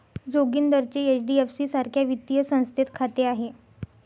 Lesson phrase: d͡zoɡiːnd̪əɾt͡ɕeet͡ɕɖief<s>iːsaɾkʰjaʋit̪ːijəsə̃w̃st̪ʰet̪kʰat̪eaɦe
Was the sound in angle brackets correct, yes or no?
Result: yes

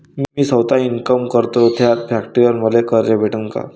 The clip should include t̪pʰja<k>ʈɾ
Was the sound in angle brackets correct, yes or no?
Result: yes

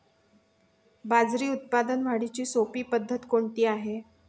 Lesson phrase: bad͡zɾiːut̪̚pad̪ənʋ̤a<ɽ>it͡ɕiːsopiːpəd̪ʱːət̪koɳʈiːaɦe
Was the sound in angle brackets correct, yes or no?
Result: yes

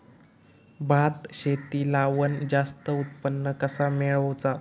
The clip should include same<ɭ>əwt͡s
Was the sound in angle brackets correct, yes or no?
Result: yes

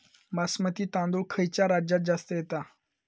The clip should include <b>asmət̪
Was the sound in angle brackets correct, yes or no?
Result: no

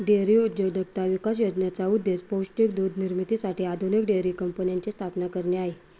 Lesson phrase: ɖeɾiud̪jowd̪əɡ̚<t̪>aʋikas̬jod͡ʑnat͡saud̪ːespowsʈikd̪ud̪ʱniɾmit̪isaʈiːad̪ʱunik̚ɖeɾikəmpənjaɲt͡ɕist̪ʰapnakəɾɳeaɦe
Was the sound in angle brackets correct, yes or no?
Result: yes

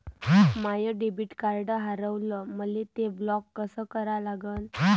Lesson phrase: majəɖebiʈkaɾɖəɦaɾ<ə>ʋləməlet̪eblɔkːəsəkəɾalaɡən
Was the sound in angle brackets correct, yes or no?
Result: yes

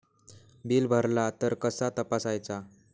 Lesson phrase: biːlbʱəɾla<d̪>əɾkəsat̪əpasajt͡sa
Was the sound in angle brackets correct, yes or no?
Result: no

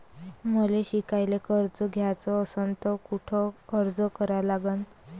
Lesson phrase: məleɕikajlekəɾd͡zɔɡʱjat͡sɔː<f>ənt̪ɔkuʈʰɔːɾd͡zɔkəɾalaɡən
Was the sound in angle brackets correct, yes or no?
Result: no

